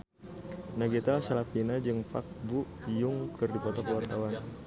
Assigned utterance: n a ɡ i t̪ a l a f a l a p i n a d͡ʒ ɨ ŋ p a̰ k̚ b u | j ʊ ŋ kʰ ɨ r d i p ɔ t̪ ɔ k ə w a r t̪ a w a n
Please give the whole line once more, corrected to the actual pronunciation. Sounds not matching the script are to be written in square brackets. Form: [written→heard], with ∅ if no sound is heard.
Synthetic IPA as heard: n a ɡ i t̪ a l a [f→s] a l a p i n a d͡ʒ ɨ ŋ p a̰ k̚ b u | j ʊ ŋ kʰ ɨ r d i p ɔ t̪ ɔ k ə w a r t̪ a w a n